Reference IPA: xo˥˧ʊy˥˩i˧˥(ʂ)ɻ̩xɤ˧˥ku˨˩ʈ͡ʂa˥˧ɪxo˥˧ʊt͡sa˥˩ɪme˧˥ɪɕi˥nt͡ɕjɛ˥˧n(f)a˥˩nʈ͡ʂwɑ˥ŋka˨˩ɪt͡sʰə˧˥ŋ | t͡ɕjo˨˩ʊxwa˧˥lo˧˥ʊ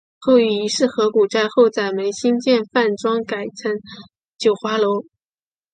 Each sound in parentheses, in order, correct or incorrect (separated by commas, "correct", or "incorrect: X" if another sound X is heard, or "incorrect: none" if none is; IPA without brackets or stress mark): correct, correct